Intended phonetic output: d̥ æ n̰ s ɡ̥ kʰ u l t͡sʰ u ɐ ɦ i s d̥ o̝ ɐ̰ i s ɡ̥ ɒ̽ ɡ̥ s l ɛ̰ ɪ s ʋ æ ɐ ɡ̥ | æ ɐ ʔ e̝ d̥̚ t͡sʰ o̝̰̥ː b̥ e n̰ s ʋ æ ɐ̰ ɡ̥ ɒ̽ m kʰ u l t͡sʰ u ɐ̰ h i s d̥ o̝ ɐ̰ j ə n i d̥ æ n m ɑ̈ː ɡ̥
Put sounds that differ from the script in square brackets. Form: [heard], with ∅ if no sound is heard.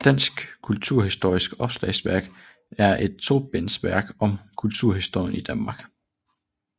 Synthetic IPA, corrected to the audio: d̥ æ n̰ s ɡ̥ kʰ u l t͡sʰ u ɐ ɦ i s d̥ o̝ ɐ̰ i s ɡ̥ ɒ̽ [b̥] s l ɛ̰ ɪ s ʋ æ ɐ ɡ̥ | æ ɐ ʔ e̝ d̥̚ t͡sʰ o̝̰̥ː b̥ e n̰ s ʋ æ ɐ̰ ɡ̥ ɒ̽ m kʰ u l t͡sʰ u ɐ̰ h i s d̥ o̝ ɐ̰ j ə n i d̥ æ n m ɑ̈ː ɡ̥